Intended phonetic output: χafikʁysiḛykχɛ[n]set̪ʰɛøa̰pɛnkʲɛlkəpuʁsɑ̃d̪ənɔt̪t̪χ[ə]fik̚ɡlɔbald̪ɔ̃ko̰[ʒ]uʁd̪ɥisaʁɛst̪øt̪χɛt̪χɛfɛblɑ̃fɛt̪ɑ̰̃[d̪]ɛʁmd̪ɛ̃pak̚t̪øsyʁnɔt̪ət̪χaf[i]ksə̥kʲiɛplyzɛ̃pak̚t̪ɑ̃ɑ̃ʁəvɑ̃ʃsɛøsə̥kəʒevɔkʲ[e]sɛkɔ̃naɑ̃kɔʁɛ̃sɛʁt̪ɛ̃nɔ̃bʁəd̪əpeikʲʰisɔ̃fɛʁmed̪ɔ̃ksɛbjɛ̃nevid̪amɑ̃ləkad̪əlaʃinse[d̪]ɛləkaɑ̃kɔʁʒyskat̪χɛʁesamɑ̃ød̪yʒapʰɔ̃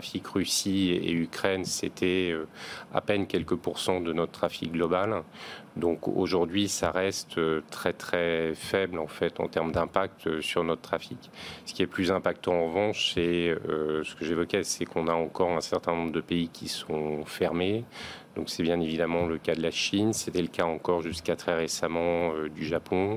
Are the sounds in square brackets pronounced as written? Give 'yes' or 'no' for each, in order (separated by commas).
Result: yes, no, yes, no, yes, no, no